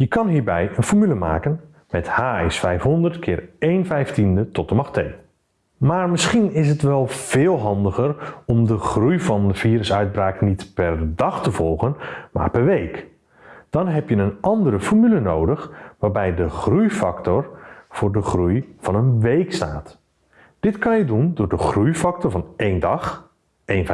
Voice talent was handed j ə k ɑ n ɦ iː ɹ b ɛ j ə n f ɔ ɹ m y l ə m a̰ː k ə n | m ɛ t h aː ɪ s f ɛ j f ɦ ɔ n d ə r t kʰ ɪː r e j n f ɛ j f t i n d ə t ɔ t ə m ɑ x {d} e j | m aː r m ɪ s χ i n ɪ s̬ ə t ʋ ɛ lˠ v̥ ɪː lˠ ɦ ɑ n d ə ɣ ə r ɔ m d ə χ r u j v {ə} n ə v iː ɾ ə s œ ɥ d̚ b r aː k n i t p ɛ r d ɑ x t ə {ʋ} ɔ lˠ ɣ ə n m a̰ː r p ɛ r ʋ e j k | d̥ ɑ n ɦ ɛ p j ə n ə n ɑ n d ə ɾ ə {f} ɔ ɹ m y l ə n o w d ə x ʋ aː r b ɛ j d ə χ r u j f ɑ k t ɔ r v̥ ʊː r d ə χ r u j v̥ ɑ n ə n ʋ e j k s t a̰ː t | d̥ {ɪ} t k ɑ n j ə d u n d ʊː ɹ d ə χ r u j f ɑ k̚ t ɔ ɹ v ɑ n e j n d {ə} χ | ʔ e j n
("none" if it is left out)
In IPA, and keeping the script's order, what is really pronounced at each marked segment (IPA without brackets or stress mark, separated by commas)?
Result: t, ɑ, v, f, ɪ, ɑ